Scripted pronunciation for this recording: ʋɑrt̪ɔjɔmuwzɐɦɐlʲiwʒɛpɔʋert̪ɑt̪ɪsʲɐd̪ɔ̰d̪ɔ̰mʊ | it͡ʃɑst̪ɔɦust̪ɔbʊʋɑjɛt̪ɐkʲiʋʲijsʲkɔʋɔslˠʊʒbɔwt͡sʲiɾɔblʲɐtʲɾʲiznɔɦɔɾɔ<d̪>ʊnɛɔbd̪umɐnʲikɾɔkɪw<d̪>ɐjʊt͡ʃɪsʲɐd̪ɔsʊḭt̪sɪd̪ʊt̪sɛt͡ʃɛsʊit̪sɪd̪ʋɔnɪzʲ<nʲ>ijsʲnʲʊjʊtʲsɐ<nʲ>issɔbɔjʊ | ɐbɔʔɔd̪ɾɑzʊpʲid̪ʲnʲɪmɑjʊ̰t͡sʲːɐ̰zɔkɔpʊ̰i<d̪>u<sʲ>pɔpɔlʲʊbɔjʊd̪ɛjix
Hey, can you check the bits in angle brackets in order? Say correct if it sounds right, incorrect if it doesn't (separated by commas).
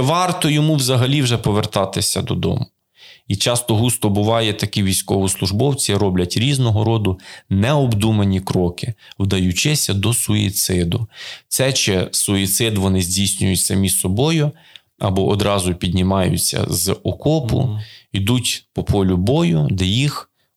correct, correct, incorrect, incorrect, correct, incorrect